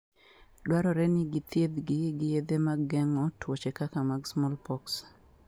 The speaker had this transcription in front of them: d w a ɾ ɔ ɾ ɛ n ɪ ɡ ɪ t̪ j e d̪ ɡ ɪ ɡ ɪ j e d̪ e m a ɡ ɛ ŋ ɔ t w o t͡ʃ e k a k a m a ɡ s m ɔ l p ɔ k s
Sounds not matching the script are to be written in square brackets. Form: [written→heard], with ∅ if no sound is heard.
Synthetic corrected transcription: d w a ɾ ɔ ɾ ɛ n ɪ ɡ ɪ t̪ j e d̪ ɡ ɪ ɡ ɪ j e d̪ e m a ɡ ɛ ŋ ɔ t w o t͡ʃ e k a k a m a ɡ s m ɔ l p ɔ k s